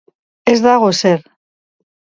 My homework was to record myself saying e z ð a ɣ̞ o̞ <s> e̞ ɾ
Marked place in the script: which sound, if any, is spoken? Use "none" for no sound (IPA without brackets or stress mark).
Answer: s